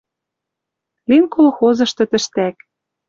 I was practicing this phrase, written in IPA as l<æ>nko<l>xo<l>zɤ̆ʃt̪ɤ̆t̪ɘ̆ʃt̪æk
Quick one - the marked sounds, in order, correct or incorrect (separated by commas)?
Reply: incorrect, correct, incorrect